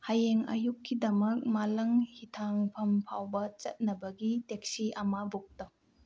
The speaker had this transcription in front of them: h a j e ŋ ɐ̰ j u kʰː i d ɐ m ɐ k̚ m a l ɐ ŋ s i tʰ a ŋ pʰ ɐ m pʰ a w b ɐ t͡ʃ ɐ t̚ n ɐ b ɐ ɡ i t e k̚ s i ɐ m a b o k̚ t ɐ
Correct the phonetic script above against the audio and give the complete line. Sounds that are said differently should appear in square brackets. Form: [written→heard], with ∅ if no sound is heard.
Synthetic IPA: h a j e ŋ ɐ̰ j u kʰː i d ɐ m ɐ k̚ m a l ɐ ŋ [s→h] i tʰ a ŋ pʰ ɐ m pʰ a w b ɐ t͡ʃ ɐ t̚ n ɐ b ɐ ɡ i t e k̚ s i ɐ m a b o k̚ t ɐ

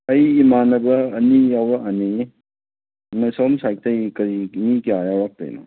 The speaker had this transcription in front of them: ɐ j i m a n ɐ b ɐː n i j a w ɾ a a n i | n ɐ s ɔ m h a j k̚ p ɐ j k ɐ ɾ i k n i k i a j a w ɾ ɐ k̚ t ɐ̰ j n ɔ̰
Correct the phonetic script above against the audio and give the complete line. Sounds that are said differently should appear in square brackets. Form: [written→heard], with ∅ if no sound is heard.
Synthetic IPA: ɐ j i m a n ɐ b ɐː n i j a w ɾ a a n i | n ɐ s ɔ m [h→s] a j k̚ [p→t] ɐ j k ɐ ɾ i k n i k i a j a w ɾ [ɐ→a] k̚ t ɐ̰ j n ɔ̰

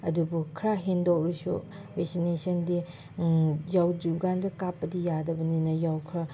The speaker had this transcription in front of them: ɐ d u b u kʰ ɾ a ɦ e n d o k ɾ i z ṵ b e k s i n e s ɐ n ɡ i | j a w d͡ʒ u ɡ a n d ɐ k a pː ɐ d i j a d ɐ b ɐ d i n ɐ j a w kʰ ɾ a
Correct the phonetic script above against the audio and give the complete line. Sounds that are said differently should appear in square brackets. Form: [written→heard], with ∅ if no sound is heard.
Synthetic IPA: ɐ d u b u kʰ ɾ a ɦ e n d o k ɾ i [z→s] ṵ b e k s i n e s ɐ n [ɡ→d] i | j a w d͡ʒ u ɡ a n d ɐ k a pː ɐ d i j a d ɐ b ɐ [d→n] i n ɐ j a w kʰ ɾ a

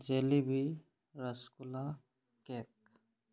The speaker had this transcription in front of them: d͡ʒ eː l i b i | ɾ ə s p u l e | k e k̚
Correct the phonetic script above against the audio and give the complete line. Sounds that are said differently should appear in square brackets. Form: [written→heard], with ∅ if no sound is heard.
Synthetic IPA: d͡ʒ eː l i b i | ɾ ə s [p→k] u l [e→a] | k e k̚

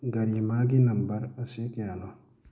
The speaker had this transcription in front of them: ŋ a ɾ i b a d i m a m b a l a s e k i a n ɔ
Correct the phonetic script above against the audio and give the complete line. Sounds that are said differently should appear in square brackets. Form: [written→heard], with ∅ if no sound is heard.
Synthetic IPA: [ŋ→ɡ] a ɾ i [b→m] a [d→ɡ] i [m→n] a m b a [l→ɾ] a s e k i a n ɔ

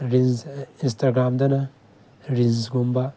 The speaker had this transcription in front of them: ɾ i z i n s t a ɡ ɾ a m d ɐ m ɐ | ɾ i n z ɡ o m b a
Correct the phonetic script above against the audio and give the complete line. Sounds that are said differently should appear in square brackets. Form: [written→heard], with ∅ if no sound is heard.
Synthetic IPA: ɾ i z i n s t a ɡ ɾ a m d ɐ [m→n] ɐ | ɾ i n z ɡ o m b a

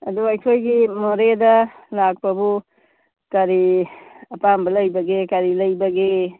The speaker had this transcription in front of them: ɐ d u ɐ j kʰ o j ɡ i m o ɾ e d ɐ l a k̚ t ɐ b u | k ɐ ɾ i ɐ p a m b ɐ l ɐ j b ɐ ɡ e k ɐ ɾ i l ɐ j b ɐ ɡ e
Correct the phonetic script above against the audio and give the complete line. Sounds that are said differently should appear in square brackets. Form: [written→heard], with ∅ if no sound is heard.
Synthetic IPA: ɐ d u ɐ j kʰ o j ɡ i m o ɾ e d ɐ l a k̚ [t→p] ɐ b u | k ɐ ɾ i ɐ p a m b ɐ l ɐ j b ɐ ɡ e k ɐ ɾ i l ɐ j b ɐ ɡ e

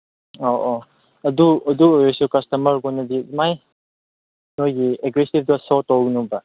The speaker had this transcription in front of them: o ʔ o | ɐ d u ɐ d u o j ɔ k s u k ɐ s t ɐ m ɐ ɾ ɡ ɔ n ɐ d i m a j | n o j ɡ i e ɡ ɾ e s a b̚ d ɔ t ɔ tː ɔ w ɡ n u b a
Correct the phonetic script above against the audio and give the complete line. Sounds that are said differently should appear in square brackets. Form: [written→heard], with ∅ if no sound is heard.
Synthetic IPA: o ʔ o | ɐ d u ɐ d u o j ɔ [k→∅] s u k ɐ s t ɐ m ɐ ɾ ɡ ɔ n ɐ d i m a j | n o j ɡ i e ɡ ɾ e s [a→i] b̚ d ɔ [t→s] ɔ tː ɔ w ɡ n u b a

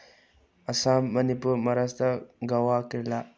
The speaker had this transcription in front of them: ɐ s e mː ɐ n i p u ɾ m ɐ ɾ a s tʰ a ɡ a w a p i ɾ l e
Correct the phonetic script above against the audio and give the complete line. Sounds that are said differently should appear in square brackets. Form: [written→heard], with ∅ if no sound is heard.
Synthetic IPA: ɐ s [e→a] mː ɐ n i p u ɾ m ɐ ɾ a s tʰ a ɡ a w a [p→k] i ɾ l [e→a]

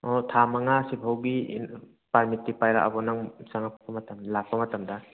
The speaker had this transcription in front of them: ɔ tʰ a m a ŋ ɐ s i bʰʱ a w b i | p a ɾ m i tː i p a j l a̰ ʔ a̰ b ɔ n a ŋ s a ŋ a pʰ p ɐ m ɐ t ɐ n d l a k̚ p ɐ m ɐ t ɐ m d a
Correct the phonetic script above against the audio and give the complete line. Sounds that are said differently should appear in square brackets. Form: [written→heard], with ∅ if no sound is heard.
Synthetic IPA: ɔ tʰ a m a ŋ [ɐ→a] s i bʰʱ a w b i | p a ɾ m i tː i p a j [l→ɾ] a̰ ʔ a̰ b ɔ n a ŋ s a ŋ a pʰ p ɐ m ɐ t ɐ [n→m] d l a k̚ p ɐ m ɐ t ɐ m d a

